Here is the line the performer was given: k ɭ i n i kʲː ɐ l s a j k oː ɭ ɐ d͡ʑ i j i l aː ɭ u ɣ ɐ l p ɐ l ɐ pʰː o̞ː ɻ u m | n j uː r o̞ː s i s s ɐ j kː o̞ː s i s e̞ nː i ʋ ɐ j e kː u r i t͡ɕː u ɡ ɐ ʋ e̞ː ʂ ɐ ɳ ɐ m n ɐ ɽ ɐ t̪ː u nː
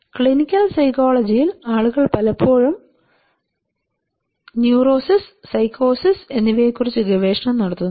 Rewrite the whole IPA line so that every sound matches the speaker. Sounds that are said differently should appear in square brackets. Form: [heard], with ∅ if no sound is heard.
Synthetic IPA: k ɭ i n i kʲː ɐ l s [ɐ] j k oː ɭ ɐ d͡ʑ i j i l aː ɭ u ɣ ɐ [ɭ] p ɐ l ɐ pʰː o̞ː ɻ u m | n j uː r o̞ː s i s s ɐ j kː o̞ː s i s e̞ nː i ʋ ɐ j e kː u r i t͡ɕː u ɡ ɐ ʋ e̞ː ʂ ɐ ɳ ɐ m n ɐ ɽ ɐ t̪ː u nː